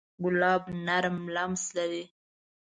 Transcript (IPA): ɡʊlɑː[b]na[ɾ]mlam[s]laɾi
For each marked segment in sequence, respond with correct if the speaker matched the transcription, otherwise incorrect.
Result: correct, correct, correct

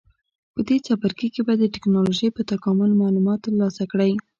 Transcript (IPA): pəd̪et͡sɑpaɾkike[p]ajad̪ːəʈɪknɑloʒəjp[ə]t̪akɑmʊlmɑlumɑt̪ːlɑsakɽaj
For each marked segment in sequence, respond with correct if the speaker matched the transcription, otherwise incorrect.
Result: incorrect: b, correct

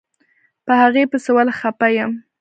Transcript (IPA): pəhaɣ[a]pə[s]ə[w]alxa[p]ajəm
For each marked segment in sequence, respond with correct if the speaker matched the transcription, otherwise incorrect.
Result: incorrect: e, correct, correct, correct

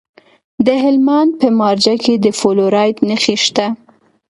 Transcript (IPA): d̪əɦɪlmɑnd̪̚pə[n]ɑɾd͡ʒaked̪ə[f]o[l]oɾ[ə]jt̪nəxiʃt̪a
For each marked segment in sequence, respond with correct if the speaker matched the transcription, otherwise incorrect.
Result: incorrect: m, correct, correct, incorrect: ɑ

